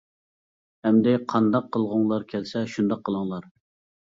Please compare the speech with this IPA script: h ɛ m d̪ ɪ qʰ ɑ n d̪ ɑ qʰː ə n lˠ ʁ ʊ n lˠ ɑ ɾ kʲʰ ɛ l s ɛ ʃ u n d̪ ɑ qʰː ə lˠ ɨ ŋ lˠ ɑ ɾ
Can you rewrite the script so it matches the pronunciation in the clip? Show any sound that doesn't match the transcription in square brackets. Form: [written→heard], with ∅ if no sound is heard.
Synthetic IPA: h ɛ m d̪ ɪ qʰ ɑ n d̪ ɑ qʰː ə [n→∅] lˠ ʁ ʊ [n→ŋ] lˠ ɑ ɾ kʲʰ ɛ l s ɛ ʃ u n d̪ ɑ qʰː ə lˠ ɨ ŋ lˠ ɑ ɾ

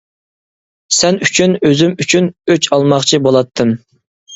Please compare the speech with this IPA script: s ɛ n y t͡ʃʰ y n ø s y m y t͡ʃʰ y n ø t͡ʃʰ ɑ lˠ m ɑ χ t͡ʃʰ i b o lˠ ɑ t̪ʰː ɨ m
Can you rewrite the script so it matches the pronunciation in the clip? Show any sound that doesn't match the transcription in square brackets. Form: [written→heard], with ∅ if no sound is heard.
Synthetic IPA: s ɛ n y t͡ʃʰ y n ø [s→z] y m y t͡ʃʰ y n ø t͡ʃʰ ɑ lˠ m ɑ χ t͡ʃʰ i b o lˠ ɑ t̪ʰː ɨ m

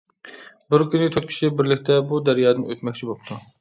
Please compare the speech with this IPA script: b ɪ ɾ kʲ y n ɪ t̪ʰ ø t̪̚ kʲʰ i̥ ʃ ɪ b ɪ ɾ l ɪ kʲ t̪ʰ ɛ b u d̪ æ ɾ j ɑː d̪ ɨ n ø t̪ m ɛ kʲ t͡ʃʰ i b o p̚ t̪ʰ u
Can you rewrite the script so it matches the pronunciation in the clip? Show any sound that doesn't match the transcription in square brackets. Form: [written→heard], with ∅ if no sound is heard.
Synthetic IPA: b ɪ ɾ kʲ y n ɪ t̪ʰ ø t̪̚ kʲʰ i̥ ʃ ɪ b ɪ ɾ l ɪ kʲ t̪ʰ ɛ b u d̪ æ ɾ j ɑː d̪ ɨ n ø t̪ m ɛ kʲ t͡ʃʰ i b o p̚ t̪ʰ u

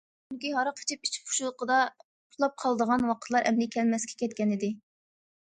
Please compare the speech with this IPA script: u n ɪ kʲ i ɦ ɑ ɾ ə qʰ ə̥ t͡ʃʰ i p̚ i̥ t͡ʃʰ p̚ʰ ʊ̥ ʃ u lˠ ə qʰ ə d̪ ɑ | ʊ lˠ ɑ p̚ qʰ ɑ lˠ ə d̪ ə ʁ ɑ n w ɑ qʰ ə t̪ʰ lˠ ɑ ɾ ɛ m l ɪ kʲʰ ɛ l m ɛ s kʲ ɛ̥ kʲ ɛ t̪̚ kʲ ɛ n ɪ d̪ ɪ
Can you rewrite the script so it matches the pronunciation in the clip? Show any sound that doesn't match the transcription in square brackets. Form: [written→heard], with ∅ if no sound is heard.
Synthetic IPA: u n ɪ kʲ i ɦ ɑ ɾ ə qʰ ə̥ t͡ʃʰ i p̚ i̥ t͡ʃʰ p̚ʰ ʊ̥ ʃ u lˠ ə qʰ ə d̪ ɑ | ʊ lˠ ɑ p̚ qʰ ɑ lˠ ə d̪ ə ʁ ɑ n w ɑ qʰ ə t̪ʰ lˠ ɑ ɾ ɛ m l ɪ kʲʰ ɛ l m ɛ s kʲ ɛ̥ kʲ ɛ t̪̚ kʲ ɛ n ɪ d̪ ɪ

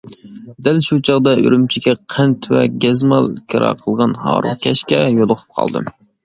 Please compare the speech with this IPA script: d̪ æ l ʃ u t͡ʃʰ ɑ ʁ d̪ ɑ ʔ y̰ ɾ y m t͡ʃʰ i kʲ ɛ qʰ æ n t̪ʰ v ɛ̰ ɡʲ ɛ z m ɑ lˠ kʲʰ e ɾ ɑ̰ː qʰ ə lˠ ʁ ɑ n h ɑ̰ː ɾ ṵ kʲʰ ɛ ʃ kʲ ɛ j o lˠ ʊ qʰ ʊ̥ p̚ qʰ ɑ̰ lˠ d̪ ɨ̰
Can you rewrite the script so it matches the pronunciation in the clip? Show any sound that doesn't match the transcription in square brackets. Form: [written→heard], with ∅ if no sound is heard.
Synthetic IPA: d̪ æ l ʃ u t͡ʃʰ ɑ ʁ d̪ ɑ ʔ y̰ ɾ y m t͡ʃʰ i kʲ ɛ qʰ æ n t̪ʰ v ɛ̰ ɡʲ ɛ z m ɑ lˠ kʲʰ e ɾ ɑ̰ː qʰ ə lˠ ʁ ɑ n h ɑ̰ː ɾ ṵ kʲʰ ɛ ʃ kʲ ɛ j o lˠ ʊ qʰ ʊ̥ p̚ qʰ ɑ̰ lˠ d̪ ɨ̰

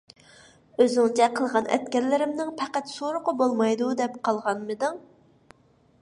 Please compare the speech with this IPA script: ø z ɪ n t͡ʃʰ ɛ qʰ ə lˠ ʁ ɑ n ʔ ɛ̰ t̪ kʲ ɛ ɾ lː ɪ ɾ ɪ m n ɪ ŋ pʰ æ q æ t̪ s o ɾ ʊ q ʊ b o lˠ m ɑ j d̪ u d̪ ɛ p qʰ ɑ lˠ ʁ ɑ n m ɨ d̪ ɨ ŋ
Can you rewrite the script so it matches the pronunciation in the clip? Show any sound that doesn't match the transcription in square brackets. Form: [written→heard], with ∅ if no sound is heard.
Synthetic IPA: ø z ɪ [n→ŋ] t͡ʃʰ ɛ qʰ ə lˠ ʁ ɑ n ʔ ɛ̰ t̪ kʲ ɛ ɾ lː ɪ ɾ ɪ m n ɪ ŋ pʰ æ q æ t̪ s o ɾ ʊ q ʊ b o lˠ m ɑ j d̪ u d̪ ɛ p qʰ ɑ lˠ ʁ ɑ n m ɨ d̪ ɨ ŋ

